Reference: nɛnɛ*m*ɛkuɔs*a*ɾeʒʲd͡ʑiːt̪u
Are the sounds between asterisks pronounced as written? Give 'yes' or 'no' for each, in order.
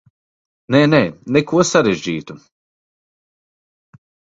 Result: no, yes

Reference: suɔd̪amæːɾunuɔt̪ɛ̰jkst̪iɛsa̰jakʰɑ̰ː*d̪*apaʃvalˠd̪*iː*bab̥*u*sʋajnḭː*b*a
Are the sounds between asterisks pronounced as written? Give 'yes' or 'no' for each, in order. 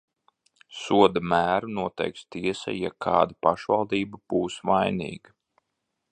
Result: yes, yes, no, no

